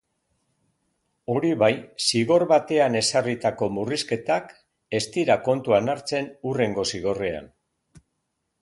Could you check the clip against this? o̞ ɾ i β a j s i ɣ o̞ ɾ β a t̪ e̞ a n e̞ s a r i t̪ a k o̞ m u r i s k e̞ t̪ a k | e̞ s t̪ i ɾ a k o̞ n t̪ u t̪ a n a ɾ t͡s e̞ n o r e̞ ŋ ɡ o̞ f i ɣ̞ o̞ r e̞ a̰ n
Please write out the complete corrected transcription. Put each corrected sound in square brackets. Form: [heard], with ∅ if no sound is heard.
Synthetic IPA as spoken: o̞ ɾ i β a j s i ɣ o̞ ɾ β a t̪ e̞ a n e̞ s a r i t̪ a k o̞ m u r i s k e̞ t̪ a k | e̞ s t̪ i ɾ a k o̞ n t̪ u [∅] a n a ɾ t͡s e̞ n [u] r e̞ ŋ ɡ o̞ [s] i ɣ̞ o̞ r e̞ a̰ n